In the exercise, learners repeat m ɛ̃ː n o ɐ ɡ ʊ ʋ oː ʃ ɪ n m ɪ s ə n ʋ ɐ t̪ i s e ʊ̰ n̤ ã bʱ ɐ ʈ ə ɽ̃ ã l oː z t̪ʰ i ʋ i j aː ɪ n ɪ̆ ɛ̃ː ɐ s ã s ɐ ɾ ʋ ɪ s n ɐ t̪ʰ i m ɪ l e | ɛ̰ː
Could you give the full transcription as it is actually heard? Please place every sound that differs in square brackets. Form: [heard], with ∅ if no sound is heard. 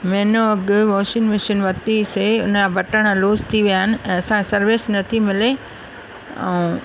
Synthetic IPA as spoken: m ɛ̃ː n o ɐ ɡ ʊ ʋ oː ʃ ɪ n m ɪ [ʃ] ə n ʋ ɐ t̪ i s e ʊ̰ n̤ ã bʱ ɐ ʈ ə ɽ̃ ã l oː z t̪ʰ i ʋ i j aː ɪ n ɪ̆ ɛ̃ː ɐ s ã s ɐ ɾ ʋ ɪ s n ɐ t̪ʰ i m ɪ l e | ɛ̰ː